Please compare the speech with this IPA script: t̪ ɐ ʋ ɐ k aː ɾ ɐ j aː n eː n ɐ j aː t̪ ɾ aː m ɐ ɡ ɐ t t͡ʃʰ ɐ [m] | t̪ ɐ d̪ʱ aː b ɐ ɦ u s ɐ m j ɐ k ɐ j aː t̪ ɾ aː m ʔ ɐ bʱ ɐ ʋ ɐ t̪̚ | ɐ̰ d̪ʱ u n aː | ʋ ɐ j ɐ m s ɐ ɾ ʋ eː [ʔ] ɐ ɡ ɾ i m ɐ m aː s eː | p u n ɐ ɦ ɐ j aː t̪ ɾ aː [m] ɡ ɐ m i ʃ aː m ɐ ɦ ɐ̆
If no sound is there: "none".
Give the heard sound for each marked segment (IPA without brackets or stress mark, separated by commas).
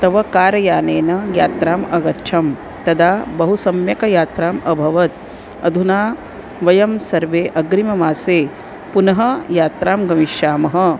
m, ʔ, m